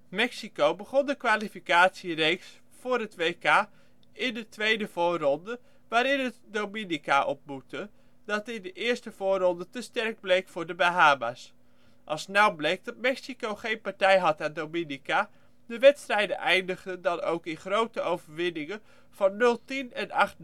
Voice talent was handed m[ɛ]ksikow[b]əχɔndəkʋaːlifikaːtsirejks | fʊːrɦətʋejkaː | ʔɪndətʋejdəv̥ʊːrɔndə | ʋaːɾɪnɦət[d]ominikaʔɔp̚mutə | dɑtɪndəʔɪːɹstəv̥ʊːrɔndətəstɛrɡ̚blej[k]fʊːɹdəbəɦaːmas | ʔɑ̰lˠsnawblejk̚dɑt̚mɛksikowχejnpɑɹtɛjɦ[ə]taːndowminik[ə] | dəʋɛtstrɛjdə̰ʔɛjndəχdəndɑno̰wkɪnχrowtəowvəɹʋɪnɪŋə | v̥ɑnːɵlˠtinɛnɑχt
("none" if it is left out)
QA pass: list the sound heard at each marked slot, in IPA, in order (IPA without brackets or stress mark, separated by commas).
ɛ, b, d, k, ɑ, a